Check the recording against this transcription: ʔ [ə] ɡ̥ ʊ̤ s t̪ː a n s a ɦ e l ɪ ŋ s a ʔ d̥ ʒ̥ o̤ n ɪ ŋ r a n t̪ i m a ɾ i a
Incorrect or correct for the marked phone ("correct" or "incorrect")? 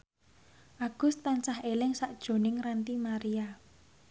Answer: incorrect